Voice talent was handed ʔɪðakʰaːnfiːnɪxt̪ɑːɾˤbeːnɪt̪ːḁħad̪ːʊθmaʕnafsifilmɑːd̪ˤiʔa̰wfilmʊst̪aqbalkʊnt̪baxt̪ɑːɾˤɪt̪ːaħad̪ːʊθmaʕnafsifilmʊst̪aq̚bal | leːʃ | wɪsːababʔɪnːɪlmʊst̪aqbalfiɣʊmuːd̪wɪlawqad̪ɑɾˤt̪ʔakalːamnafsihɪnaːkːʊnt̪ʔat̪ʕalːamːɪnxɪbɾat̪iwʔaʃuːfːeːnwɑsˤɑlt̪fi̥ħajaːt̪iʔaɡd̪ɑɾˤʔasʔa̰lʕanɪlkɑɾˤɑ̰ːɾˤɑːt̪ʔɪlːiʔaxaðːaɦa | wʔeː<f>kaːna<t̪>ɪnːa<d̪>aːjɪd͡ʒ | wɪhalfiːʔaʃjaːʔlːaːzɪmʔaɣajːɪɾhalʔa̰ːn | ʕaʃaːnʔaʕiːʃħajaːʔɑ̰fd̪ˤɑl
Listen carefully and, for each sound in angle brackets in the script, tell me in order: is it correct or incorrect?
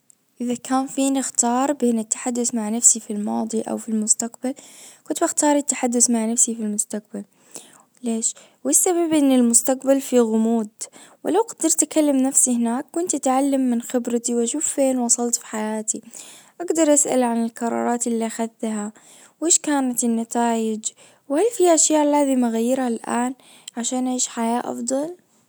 incorrect, correct, incorrect

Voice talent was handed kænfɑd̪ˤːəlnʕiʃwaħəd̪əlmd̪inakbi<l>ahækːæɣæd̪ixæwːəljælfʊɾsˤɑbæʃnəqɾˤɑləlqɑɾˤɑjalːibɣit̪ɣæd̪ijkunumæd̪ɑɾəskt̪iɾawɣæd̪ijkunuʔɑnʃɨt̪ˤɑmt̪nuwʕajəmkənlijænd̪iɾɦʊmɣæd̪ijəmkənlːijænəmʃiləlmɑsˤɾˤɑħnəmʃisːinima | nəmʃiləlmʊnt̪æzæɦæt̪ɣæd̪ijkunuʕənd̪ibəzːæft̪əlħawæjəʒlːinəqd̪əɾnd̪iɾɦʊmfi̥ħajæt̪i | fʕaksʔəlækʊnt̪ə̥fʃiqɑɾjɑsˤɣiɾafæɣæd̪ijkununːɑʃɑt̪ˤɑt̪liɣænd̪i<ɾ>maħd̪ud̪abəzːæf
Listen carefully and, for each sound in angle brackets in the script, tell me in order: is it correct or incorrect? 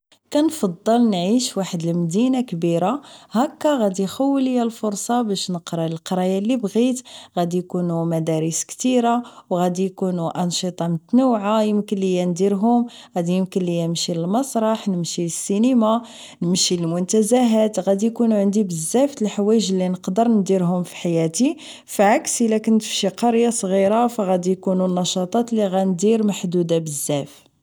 incorrect, correct

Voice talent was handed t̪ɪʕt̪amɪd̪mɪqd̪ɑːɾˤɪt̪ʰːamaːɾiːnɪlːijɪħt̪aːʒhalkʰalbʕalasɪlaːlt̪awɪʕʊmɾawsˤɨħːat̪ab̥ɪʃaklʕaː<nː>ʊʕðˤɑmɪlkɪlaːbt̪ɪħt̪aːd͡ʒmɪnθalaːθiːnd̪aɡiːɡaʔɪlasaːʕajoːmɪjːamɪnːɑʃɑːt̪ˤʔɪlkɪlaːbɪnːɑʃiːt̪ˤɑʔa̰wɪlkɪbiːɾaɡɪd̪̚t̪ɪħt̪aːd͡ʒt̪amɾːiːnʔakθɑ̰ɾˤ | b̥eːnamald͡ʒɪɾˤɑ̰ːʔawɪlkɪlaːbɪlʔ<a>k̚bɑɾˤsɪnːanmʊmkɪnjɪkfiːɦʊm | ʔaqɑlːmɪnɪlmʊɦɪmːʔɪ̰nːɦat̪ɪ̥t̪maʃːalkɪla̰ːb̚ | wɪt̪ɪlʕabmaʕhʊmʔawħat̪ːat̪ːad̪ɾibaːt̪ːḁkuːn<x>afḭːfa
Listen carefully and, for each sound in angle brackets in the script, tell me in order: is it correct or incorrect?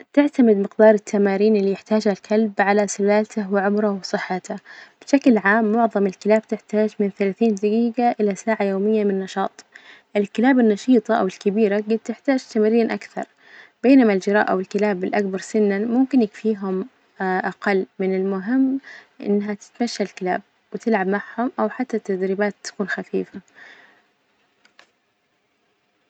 incorrect, correct, correct

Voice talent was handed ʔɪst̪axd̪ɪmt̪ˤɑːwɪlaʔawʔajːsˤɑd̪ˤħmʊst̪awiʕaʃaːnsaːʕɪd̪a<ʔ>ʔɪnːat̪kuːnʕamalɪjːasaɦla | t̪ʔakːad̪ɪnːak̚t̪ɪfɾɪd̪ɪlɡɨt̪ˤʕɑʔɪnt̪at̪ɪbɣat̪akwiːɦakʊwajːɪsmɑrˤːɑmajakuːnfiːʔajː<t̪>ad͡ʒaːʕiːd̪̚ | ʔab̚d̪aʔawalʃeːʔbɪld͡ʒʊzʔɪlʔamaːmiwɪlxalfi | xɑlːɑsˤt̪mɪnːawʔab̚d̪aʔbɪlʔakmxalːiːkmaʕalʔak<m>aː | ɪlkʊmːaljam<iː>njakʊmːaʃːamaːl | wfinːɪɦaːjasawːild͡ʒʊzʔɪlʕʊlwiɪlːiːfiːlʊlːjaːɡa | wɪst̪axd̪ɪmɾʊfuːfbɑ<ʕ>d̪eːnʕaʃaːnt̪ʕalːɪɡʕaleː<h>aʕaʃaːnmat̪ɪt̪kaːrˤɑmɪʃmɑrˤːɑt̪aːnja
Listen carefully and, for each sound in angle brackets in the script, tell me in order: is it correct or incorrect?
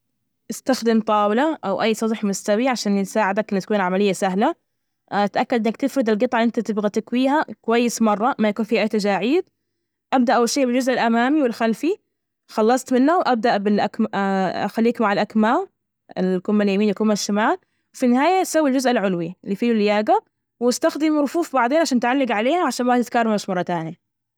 incorrect, correct, correct, correct, correct, correct

